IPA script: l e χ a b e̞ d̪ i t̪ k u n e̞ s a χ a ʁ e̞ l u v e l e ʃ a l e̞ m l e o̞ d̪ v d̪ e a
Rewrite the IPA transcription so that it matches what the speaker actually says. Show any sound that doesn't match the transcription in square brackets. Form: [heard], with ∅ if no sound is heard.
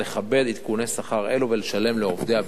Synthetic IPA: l e χ a b e̞ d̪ i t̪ k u n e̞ s a χ a ʁ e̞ l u v e l e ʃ a l e̞ m l e o̞ [∅] v d̪ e a